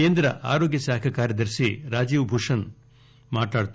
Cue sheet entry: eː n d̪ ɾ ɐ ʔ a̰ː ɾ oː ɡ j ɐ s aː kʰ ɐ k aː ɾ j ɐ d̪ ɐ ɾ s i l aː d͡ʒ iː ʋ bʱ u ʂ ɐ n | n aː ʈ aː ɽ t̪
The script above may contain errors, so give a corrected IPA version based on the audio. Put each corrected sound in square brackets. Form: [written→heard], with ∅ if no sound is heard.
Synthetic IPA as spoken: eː n d̪ ɾ ɐ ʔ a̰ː ɾ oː ɡ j ɐ s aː kʰ ɐ k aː ɾ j ɐ d̪ ɐ ɾ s i [l→ɾ] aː d͡ʒ iː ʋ bʱ u ʂ ɐ n | [n→m] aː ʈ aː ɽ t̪